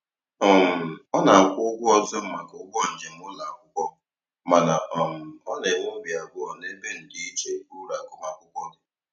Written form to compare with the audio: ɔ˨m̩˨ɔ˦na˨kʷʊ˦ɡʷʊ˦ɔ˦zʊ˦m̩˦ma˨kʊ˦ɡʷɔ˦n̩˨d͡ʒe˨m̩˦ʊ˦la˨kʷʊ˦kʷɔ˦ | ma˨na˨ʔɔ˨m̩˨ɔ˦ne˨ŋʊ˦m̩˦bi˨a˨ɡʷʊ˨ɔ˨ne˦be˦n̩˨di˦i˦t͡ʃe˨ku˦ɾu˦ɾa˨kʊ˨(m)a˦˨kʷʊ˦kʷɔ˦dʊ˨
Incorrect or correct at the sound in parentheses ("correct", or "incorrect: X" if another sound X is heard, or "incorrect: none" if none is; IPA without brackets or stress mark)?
correct